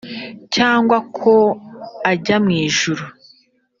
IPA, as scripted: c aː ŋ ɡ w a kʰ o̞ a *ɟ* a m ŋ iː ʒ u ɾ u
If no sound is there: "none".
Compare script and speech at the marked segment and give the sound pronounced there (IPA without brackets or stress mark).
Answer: ɟ